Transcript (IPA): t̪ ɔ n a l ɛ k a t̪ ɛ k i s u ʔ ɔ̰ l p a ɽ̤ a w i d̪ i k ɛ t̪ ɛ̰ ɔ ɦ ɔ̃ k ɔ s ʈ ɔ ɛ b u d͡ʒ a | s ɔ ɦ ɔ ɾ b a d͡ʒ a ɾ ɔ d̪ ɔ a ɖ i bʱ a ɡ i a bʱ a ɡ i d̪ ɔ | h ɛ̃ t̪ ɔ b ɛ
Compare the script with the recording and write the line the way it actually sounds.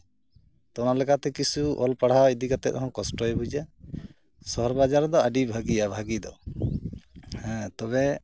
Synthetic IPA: t̪ ɔ n a l ɛ k a t̪ ɛ k i s u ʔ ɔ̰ l p a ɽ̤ a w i d̪ i k a t̪ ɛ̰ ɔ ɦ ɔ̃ k ɔ s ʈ ɔ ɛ b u d͡ʒ a | s ɔ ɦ ɔ ɾ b a d͡ʒ a ɾ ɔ d̪ ɔ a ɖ i bʱ a ɡ i a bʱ a ɡ i d̪ ɔ | h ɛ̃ t̪ ɔ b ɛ